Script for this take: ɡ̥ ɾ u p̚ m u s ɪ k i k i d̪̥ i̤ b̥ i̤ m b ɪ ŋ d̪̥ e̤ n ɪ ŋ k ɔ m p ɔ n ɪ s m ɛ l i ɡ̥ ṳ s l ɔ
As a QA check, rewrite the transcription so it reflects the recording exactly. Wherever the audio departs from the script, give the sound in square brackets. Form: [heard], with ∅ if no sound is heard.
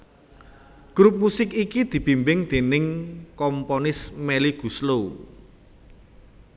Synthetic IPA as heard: ɡ̥ ɾ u p̚ m u s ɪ k i k i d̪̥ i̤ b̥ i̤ m b ɪ ŋ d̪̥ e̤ n ɪ ŋ k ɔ m p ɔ n ɪ s m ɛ l i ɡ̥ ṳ s l [o]